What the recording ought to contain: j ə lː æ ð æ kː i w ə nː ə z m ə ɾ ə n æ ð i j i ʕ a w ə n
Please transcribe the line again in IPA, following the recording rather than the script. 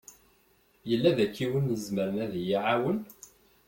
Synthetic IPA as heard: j ə lː æ ð æ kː i w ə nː ə z m ə ɾ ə n æ ð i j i ʕ a w ə n